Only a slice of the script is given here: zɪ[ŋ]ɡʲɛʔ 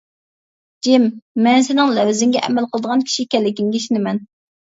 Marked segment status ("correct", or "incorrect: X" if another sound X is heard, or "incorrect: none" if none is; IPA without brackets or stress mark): correct